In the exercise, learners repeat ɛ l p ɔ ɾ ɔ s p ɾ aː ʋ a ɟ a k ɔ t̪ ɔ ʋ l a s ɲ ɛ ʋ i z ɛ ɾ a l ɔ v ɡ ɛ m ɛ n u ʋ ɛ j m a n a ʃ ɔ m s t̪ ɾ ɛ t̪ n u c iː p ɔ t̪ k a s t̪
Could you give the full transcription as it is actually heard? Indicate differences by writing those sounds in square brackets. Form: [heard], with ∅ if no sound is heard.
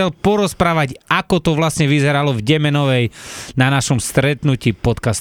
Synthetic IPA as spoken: ɛ l p ɔ ɾ ɔ s p ɾ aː ʋ a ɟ a k ɔ t̪ ɔ ʋ l a s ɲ ɛ ʋ i z ɛ ɾ a l ɔ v [ɟ] ɛ m ɛ n [ɔ] ʋ ɛ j [n] a n a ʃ ɔ m s t̪ ɾ ɛ t̪ n u c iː p ɔ t̪ k a s t̪